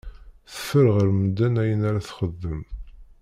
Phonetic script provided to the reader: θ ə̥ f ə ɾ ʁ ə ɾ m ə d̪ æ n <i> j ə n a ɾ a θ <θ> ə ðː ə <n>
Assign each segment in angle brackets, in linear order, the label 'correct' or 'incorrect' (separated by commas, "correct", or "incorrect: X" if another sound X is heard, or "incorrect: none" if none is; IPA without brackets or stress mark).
incorrect: æ, incorrect: χ, incorrect: m